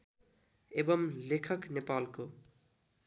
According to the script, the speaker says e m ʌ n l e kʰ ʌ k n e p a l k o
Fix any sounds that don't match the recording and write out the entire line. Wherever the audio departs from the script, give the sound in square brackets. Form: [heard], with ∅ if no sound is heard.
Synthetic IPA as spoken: e [b] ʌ [m] l e kʰ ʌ k n e p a l k o